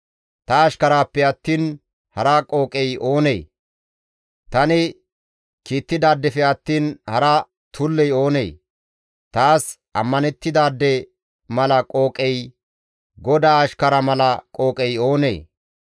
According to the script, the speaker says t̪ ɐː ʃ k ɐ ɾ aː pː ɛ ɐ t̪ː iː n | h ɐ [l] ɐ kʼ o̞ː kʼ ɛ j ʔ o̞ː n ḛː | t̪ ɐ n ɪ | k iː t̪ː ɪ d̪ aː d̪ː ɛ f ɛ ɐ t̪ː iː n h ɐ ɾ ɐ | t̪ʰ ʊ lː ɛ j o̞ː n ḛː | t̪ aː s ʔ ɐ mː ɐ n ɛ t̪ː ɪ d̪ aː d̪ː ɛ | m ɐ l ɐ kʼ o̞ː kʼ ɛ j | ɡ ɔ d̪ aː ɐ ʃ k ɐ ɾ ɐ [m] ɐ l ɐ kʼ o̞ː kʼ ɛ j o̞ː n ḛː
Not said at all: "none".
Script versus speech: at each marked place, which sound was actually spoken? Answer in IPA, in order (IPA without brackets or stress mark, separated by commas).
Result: ɾ, m